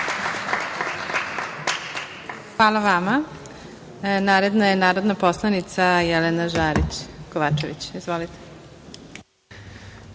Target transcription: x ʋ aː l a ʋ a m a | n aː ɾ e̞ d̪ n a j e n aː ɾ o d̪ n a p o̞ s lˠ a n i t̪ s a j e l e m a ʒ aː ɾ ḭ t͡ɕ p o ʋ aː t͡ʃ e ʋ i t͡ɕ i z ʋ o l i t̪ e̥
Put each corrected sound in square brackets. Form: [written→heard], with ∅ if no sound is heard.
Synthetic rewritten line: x ʋ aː l a ʋ a m a | n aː ɾ e̞ d̪ n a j e n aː ɾ o d̪ n a p o̞ s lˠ a n i t̪ s a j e l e [m→n] a ʒ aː ɾ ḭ t͡ɕ [p→k] o ʋ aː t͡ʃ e ʋ i t͡ɕ i z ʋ o l i t̪ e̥